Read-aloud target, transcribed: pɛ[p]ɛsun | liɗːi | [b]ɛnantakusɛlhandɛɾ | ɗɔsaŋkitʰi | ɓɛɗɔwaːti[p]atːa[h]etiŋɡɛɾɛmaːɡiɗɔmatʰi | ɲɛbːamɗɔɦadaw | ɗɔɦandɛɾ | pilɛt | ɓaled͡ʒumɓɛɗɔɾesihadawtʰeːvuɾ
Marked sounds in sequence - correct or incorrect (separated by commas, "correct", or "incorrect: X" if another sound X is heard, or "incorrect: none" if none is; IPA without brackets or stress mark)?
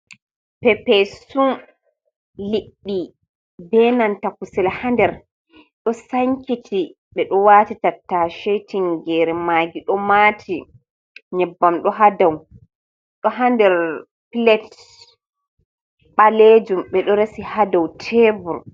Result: correct, correct, incorrect: t, incorrect: ʃ